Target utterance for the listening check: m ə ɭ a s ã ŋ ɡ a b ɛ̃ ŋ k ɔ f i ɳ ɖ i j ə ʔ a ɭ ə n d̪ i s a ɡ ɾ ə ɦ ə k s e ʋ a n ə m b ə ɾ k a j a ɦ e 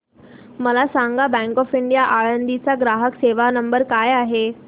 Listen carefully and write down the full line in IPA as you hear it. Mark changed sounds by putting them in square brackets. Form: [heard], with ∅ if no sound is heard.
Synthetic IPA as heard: m ə [l] a s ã ŋ ɡ a b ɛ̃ ŋ k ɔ f i ɳ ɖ i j [a] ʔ a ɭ ə n d̪ i [t͡s] a ɡ ɾ [a] ɦ ə k s e ʋ a n ə m b ə ɾ k a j a ɦ e